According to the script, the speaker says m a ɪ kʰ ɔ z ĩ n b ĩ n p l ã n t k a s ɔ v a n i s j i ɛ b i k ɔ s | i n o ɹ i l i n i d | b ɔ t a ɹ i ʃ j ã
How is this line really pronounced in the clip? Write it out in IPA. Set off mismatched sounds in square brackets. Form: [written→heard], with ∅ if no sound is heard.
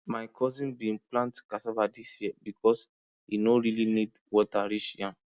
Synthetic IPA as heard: m a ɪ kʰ ɔ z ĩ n b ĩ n p l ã n t k a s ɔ v a [n→d] i s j i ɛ b i k ɔ s | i n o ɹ i l i n i d | [b→w] ɔ t a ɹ i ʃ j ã